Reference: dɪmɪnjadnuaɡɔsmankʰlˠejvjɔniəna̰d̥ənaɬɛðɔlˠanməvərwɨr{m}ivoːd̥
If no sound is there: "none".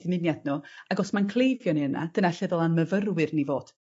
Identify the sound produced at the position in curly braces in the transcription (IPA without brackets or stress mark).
n